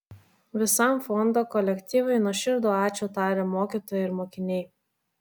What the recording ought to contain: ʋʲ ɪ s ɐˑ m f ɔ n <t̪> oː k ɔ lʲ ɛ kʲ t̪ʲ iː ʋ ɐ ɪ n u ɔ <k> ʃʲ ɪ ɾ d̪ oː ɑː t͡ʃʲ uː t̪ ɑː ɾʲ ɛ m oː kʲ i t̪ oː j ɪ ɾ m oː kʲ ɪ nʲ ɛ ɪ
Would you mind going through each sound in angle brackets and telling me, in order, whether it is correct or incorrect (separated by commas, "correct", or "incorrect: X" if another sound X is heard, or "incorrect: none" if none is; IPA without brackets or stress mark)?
incorrect: d̪, incorrect: none